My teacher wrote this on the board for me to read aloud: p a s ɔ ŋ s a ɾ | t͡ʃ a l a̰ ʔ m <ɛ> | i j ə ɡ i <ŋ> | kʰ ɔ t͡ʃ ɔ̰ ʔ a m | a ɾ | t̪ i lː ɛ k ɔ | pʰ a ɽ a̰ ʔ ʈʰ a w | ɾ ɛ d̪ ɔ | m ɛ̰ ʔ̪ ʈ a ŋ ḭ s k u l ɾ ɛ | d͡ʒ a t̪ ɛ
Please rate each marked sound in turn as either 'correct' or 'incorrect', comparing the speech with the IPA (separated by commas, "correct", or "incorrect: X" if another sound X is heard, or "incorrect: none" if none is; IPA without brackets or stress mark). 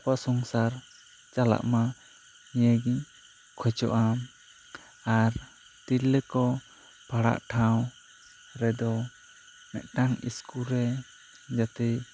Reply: incorrect: a, incorrect: ɲ